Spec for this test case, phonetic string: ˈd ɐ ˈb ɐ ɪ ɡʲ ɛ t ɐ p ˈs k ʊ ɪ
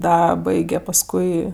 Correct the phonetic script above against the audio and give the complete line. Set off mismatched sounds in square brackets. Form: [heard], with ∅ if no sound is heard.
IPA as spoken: ˈd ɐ ˈb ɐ ɪ ɡʲ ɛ [p] ɐ [∅] ˈs k ʊ ɪ